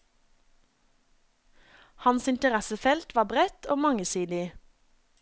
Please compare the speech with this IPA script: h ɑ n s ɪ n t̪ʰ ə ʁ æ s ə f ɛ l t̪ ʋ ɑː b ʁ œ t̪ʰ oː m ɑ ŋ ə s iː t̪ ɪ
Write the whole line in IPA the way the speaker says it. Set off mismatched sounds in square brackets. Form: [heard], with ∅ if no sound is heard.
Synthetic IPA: h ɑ n s ɪ n [t̪] ə ʁ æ s ə f ɛ l t̪ ʋ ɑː b ʁ [ɛ] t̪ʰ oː m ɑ ŋ ə s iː [d̪] ɪ